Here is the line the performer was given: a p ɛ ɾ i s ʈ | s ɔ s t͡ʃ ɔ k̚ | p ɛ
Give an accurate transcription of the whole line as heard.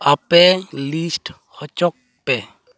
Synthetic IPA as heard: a p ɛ l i s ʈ | h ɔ t͡ʃ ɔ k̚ | p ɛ